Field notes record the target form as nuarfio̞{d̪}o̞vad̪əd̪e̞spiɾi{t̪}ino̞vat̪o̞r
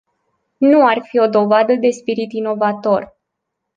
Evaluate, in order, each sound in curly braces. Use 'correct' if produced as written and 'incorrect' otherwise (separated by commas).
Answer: correct, correct